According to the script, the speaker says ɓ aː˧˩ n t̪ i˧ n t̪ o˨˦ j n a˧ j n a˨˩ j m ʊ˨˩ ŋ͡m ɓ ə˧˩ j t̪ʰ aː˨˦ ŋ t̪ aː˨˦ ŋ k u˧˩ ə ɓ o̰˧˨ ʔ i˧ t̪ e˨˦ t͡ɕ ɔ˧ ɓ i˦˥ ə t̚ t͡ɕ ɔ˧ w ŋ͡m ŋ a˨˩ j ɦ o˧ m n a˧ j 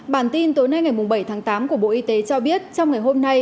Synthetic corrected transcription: ɓ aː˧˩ n t̪ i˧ n t̪ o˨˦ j n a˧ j ŋ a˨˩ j m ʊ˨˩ ŋ͡m ɓ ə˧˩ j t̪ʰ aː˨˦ ŋ t̪ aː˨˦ m k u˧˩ ə ɓ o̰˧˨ ʔ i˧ t̪ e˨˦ t͡ɕ ɔ˧ ɓ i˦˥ ə t̚ t͡ɕ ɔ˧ w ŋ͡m ŋ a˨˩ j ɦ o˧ m n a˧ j

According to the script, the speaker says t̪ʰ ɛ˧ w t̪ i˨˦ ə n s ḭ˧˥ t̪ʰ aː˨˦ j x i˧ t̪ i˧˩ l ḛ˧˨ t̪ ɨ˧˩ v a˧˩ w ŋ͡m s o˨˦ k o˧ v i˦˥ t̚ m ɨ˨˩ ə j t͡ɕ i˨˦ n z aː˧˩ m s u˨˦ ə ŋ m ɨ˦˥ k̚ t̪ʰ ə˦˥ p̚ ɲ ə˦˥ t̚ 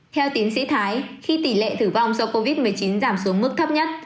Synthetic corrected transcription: t̪ʰ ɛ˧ w t̪ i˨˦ ə n s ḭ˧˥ t̪ʰ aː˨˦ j x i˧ t̪ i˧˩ l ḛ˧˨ t̪ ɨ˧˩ v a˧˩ w ŋ͡m s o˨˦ k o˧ v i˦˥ t̚ m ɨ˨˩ ə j t͡ɕ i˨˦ n z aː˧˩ m s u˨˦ ə ŋ m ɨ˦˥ k̚ t̪ʰ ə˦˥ p̚ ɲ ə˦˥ t̚

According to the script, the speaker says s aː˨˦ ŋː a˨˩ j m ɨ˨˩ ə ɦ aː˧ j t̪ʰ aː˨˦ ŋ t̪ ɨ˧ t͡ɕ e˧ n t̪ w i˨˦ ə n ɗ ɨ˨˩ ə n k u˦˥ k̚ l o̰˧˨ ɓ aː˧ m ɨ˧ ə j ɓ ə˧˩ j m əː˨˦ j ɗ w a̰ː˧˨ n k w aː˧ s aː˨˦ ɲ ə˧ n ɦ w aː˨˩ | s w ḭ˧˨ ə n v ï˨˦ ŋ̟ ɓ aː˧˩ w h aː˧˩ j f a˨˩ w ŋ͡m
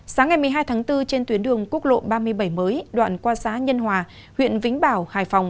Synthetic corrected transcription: s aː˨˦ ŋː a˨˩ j m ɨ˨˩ ə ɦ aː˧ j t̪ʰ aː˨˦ ŋ t̪ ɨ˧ t͡ɕ e˧ n t̪ w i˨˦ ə n ɗ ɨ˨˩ ə ŋ k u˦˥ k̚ l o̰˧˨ ɓ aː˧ m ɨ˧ ə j ɓ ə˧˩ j m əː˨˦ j ɗ w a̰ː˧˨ n k w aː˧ s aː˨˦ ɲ ə˧ n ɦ w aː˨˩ | h w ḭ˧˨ ə n v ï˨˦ ŋ̟ ɓ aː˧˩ w h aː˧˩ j f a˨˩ w ŋ͡m

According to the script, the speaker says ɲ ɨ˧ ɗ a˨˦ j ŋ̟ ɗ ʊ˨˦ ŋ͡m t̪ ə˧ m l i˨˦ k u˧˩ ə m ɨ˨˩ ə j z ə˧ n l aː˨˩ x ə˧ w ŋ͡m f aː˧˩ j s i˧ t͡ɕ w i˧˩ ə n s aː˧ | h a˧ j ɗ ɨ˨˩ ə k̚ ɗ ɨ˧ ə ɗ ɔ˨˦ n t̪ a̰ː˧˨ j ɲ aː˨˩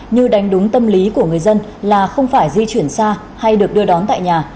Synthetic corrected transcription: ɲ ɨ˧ ɗ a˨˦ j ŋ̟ ɗ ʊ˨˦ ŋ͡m t̪ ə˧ m l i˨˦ k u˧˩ ə ŋ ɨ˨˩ ə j z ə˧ n l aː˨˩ x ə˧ w ŋ͡m f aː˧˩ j z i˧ t͡ɕ w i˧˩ ə n s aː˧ | h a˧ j ɗ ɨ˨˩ ə k̚ ɗ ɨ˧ ə ɗ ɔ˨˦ n t̪ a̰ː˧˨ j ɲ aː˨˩

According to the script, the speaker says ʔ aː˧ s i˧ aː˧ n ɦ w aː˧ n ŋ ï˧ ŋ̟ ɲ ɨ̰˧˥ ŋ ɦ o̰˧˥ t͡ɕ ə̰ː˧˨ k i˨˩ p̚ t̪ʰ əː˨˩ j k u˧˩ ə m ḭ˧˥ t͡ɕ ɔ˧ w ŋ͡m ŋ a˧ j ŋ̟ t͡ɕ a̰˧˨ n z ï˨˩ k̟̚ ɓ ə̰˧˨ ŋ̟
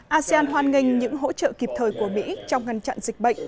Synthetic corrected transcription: ʔ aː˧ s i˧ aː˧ n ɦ w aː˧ n ŋ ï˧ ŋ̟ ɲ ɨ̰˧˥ ŋ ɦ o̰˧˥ t͡ɕ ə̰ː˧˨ k i˨˩ p̚ t̪ʰ əː˨˩ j k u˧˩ ə m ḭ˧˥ t͡ɕ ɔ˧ w ŋ͡m ŋ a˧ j ŋ̟ t͡ɕ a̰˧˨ n z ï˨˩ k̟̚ ɓ ə̰˧˨ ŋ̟

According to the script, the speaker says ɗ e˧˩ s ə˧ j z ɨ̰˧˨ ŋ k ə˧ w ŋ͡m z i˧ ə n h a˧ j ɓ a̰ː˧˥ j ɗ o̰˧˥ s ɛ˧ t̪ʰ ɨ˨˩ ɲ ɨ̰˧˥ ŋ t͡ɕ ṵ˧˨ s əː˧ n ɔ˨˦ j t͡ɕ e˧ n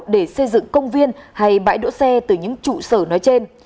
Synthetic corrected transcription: ɗ e˧˩ s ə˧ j z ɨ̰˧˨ ŋ k ə˧ w ŋ͡m v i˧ ə n h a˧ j ɓ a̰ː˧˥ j ɗ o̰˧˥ s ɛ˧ t̪ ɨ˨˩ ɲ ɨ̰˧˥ ŋ t͡ɕ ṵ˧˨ s əː˧˩ n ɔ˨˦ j t͡ɕ e˧ n

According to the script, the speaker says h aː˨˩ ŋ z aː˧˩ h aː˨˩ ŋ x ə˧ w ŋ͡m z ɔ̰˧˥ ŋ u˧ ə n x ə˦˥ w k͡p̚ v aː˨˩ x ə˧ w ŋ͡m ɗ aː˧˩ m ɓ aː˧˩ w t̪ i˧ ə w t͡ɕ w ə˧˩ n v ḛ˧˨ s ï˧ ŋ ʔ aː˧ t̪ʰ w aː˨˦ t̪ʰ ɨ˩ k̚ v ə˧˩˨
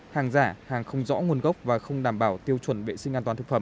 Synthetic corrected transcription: h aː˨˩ ŋ z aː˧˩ h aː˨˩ ŋ x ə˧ w ŋ͡m z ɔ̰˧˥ ŋ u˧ ə n ɣ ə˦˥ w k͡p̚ v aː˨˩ x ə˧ w ŋ͡m ɗ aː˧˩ m ɓ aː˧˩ w t̪ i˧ ə w t͡ɕ w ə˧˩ n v ḛ˧˨ s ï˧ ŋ ʔ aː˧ t̪ w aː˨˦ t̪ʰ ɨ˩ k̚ f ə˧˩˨

